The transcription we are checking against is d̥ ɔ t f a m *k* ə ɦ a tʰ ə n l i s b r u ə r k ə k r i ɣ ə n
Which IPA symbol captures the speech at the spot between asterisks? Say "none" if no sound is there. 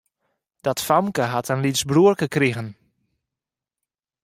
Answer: k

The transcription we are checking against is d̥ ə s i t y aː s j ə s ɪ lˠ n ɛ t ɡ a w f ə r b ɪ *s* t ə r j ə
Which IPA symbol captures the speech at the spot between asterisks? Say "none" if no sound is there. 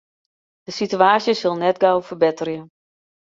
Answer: none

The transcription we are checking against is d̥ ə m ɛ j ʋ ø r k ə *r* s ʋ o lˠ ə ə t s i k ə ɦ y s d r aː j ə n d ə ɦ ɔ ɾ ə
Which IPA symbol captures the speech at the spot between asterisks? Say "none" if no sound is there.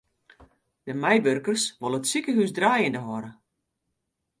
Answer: r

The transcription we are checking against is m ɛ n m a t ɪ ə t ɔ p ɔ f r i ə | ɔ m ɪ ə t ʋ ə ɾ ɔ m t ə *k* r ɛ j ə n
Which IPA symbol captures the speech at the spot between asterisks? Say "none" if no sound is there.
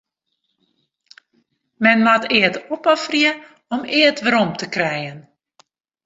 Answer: k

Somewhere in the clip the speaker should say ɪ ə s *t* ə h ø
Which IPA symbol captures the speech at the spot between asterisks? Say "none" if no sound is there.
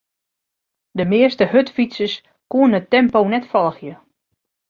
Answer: t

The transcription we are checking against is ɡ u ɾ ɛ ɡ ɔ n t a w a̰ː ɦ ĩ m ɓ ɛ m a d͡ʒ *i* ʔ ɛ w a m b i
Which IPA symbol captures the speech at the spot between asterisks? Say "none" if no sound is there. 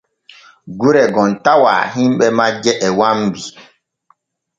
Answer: ɛ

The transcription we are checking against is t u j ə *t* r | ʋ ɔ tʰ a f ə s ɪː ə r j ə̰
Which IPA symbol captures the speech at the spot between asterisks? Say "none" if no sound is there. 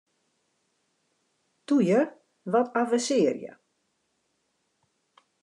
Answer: none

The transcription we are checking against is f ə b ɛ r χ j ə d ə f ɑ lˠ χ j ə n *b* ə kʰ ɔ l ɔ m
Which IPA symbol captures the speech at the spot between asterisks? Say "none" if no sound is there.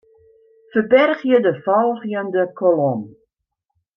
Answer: d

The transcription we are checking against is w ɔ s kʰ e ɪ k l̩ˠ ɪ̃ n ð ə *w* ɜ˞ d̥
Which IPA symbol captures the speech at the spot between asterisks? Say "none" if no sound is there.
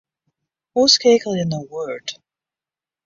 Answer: w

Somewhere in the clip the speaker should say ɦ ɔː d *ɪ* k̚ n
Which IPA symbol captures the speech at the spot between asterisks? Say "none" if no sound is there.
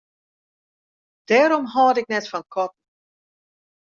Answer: ɪ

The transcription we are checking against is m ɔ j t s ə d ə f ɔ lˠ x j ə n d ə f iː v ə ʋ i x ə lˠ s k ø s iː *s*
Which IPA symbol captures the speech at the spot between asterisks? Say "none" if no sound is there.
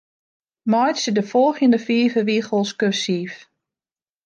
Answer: f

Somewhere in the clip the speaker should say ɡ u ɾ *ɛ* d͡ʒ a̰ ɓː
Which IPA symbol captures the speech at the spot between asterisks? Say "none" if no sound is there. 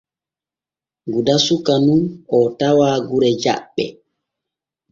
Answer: ɛ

